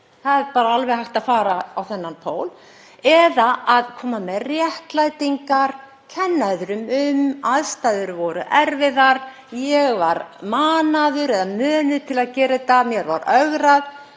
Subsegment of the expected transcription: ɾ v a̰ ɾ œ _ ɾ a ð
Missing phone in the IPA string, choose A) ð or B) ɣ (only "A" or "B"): B